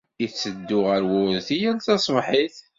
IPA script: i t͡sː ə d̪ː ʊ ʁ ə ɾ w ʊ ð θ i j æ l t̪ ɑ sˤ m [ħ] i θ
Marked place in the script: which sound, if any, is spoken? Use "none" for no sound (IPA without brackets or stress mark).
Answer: ħ